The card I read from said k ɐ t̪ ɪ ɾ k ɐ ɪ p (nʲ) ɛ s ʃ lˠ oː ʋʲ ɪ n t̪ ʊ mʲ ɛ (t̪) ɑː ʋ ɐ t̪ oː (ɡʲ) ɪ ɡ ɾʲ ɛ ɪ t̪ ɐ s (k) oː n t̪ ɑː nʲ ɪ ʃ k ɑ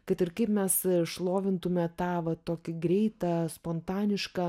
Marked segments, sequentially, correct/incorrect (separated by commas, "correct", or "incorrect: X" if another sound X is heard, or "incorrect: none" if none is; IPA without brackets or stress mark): incorrect: mʲ, correct, incorrect: kʲ, incorrect: p